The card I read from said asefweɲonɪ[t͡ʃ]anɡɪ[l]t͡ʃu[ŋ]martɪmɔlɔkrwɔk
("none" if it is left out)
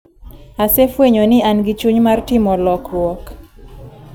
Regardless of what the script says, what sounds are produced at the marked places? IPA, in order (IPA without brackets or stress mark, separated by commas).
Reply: none, none, ɲ